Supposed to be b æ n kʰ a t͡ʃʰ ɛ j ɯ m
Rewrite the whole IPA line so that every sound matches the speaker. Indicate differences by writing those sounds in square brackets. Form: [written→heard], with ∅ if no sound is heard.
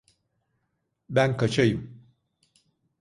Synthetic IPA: b æ n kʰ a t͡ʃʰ [ɛ→a] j ɯ m